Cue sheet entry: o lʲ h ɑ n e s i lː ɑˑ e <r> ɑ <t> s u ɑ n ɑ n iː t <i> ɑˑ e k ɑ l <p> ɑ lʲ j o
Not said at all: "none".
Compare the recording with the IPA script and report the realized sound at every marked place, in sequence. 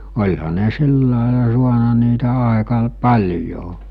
l, none, æ, p

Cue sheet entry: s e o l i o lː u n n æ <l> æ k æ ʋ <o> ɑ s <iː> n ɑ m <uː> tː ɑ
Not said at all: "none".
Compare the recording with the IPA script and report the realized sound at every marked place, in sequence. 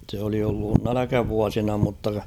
l, u, i, u

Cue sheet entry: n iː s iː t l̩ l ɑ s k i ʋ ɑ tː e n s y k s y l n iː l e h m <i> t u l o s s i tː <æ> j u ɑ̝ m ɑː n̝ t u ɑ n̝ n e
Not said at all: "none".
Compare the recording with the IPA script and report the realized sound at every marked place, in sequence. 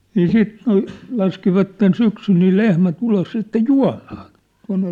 æ, e

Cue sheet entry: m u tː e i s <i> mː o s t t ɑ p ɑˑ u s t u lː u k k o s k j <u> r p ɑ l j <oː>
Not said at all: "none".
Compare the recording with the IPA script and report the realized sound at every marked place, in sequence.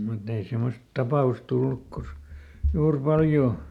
e, uː, oː

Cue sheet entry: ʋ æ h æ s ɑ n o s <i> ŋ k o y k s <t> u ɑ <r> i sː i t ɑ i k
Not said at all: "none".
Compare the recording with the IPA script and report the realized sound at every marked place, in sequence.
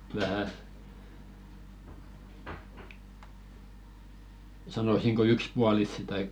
i, p, l

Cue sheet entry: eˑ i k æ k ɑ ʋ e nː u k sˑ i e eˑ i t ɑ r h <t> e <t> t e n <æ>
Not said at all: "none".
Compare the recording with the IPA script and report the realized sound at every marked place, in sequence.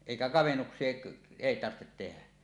t, t, æ

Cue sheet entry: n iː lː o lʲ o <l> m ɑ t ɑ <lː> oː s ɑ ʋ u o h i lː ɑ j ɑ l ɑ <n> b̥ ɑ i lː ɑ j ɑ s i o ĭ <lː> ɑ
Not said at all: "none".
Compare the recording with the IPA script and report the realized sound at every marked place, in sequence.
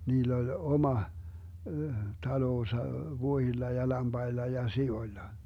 none, l, m, lː

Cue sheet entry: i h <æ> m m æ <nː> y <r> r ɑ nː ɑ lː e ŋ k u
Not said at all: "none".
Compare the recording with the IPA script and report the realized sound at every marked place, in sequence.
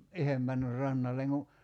e, nː, r

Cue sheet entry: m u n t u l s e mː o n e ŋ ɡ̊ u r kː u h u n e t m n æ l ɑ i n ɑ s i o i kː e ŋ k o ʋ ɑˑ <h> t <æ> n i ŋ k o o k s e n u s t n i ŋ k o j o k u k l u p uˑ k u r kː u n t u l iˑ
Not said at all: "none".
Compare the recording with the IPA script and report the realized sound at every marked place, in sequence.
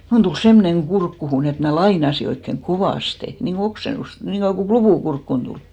s, e

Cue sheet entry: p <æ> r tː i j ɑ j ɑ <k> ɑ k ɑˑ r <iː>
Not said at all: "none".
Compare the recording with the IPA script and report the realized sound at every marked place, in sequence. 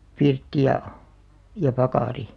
i, p, i

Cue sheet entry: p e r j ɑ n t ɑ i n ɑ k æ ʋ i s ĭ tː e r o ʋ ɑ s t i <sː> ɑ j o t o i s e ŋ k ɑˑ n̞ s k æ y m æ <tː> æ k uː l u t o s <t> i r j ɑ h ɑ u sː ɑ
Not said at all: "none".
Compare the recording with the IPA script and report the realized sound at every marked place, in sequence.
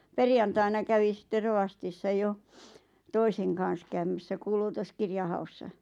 sː, sː, k

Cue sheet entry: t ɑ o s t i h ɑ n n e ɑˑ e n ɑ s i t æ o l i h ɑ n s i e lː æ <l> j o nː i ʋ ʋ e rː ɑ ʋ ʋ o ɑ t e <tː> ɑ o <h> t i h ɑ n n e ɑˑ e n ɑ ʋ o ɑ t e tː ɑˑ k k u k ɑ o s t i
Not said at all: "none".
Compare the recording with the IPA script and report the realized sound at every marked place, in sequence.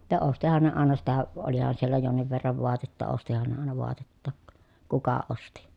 none, tː, s

